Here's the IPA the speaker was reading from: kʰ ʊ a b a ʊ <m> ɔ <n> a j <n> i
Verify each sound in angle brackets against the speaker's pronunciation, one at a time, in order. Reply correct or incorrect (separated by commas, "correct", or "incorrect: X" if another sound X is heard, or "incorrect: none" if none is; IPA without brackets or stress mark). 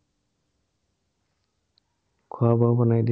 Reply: incorrect: b, correct, incorrect: d